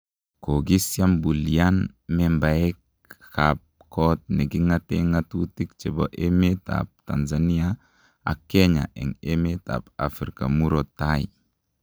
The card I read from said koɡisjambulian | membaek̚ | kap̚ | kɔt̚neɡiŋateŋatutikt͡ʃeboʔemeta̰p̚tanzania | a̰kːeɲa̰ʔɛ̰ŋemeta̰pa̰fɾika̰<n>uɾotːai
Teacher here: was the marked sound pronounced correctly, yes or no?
no